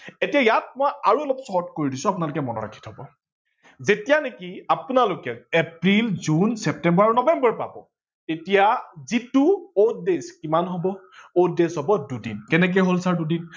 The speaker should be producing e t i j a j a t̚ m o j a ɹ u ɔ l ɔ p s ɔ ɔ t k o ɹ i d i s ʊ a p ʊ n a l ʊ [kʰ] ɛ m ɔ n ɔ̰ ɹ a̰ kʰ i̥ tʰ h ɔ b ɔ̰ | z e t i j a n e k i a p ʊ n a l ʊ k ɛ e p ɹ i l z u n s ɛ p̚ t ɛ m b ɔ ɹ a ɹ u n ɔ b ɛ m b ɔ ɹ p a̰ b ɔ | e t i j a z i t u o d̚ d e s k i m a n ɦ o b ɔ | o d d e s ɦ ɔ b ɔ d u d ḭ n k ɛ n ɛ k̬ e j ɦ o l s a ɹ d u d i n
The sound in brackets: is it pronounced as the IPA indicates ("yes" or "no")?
no